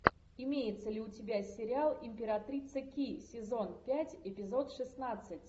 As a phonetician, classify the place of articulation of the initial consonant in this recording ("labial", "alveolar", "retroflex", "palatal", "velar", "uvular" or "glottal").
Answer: labial